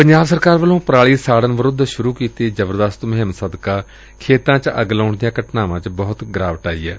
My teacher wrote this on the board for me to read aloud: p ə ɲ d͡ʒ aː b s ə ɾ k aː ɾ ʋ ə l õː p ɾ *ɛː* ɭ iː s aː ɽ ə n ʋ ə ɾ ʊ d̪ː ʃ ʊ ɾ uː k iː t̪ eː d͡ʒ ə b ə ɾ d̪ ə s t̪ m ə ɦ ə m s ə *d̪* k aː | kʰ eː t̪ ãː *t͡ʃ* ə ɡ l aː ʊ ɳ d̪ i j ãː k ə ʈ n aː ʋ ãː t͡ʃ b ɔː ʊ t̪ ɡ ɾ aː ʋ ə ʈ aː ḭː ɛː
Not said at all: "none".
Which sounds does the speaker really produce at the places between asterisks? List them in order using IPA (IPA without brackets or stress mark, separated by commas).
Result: aː, d̪, t͡ʃ